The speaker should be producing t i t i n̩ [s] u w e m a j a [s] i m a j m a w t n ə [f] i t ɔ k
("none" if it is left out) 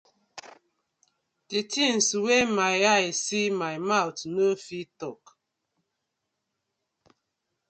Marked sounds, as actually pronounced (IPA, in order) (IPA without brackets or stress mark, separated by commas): s, s, f